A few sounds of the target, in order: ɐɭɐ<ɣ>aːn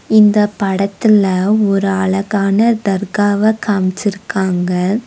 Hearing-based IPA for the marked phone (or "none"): ɣ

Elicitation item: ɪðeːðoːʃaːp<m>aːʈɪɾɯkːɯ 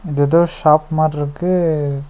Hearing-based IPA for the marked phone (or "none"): m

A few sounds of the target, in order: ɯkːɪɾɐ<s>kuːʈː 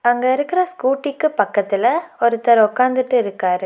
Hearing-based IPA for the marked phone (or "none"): s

